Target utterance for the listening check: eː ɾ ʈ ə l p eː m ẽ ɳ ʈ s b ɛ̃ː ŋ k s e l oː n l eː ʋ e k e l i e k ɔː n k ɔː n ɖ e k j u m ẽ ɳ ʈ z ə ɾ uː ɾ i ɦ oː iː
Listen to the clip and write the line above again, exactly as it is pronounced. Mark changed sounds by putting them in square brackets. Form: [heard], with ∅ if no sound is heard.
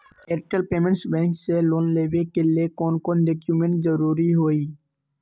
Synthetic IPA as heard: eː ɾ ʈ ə l p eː m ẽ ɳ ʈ s b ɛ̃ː ŋ k s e l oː n l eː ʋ e k e l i e k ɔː n k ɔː n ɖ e k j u m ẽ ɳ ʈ z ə ɾ uː ɾ i ɦ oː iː